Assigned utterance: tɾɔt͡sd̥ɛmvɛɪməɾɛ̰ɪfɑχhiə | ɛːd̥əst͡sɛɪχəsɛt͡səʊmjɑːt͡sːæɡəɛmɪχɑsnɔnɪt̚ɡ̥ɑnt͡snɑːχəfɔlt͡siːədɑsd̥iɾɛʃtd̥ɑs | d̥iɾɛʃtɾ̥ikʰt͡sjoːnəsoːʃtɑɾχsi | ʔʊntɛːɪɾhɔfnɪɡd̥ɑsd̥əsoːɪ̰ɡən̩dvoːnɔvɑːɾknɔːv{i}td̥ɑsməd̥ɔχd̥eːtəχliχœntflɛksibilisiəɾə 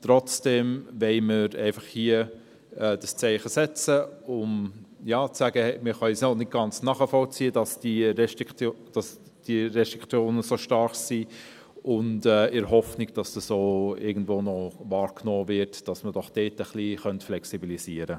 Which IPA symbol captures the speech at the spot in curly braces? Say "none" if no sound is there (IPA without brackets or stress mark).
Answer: ɪ